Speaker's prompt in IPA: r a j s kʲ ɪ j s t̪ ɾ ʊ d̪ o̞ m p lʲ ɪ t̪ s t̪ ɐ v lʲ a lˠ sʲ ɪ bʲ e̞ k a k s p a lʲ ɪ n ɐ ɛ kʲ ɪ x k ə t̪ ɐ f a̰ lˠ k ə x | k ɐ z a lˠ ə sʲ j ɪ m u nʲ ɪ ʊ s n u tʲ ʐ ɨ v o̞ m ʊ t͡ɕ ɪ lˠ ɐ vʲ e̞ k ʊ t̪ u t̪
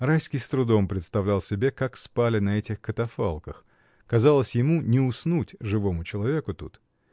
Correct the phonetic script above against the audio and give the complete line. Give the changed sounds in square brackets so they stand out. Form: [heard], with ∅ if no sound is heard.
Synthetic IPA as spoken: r a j s kʲ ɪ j s t̪ ɾ ʊ d̪ o̞ m p [ɾʲ] ɪ t̪ s t̪ ɐ v lʲ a lˠ sʲ ɪ bʲ e̞ k a k s p a lʲ ɪ n ɐ ɛ [tʲ] ɪ x k ə t̪ ɐ f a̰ lˠ k ə x | k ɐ z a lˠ ə sʲ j ɪ m u nʲ ɪ ʊ s n u tʲ ʐ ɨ v o̞ m ʊ t͡ɕ ɪ lˠ ɐ vʲ e̞ k ʊ t̪ u t̪

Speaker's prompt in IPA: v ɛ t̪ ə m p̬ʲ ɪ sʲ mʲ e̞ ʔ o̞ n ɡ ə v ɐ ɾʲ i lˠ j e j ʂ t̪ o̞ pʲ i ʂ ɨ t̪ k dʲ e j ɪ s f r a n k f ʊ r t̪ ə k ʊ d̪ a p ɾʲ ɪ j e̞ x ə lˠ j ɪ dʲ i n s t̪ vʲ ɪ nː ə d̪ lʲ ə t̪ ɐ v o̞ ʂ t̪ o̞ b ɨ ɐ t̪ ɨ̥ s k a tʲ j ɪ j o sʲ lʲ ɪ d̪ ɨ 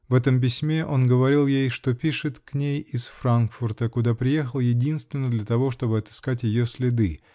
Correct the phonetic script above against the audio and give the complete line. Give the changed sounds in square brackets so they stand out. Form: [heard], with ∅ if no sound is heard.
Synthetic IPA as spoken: v ɛ t̪ ə m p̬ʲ ɪ sʲ mʲ e̞ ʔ o̞ n ɡ ə v ɐ ɾʲ i lˠ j e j ʂ t̪ o̞ pʲ i ʂ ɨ t̪ k [nʲ] e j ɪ s f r a n k f ʊ r t̪ ə k ʊ d̪ a p ɾʲ ɪ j e̞ x ə lˠ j ɪ dʲ i n s t̪ vʲ ɪ nː ə d̪ lʲ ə t̪ ɐ v o̞ ʂ t̪ o̞ b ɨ ɐ t̪ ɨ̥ s k a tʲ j ɪ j o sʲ lʲ ɪ d̪ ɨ

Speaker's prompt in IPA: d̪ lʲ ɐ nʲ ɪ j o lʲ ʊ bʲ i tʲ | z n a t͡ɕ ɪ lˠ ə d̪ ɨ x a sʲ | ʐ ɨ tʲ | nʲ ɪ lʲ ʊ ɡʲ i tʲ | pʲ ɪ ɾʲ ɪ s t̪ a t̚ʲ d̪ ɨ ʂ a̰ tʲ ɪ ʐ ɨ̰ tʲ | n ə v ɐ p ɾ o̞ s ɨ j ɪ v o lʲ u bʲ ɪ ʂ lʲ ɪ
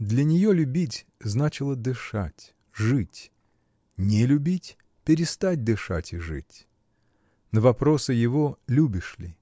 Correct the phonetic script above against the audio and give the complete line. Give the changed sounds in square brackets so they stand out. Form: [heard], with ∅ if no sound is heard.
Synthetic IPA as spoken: d̪ lʲ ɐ nʲ ɪ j o lʲ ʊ bʲ i tʲ | z n a t͡ɕ ɪ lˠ ə d̪ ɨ [ʂ] a [tʲ] | ʐ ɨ tʲ | nʲ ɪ lʲ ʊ [bʲ] i tʲ | pʲ ɪ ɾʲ ɪ s t̪ a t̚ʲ d̪ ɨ ʂ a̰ tʲ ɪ ʐ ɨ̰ tʲ | n ə v ɐ p ɾ o̞ s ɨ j ɪ v o lʲ u bʲ ɪ ʂ lʲ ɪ

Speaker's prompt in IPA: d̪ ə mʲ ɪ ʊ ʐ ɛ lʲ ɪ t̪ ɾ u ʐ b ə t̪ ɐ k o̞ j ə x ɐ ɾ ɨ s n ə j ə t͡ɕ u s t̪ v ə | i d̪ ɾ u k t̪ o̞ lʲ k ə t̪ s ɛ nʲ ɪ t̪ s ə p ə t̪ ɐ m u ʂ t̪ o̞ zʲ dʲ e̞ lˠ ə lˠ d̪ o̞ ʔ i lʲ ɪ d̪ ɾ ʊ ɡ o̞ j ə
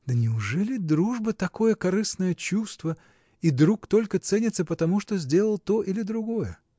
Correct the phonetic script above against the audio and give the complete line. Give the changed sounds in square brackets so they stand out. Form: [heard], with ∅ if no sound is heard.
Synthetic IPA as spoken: d̪ ə [nʲ] ɪ ʊ ʐ ɛ lʲ ɪ [d̪] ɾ u ʐ b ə t̪ ɐ k o̞ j ə [k] ɐ ɾ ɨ s n ə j ə t͡ɕ u s t̪ v ə | i d̪ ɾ u k t̪ o̞ lʲ k ə t̪ s ɛ nʲ ɪ t̪ s ə p ə t̪ ɐ m u ʂ t̪ o̞ zʲ dʲ e̞ lˠ ə lˠ [t̪] o̞ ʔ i lʲ ɪ d̪ ɾ ʊ ɡ o̞ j ə

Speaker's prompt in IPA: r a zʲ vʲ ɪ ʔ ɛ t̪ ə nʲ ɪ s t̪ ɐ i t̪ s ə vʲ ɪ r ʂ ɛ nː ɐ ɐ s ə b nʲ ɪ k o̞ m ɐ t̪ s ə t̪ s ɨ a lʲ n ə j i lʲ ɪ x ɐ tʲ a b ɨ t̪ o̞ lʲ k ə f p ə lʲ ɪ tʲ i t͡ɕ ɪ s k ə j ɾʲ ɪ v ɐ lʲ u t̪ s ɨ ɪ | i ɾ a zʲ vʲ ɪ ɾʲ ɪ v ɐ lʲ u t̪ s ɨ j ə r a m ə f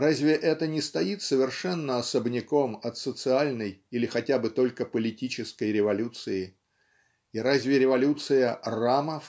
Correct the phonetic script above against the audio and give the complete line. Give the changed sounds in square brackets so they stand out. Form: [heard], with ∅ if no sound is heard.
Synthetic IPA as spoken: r a zʲ vʲ ɪ ʔ ɛ t̪ ə nʲ ɪ s t̪ ɐ i t̪ s ə vʲ ɪ r ʂ ɛ nː [ə] ɐ s ə b nʲ ɪ k o̞ m ɐ t̪ s ə t̪ s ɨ a lʲ n ə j i lʲ ɪ x ɐ tʲ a b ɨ t̪ o̞ lʲ k ə [∅] p ə lʲ ɪ tʲ i t͡ɕ ɪ s k ə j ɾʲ ɪ v ɐ lʲ u t̪ s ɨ ɪ | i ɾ a zʲ vʲ ɪ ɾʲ ɪ v ɐ lʲ u t̪ s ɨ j ə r a m ə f

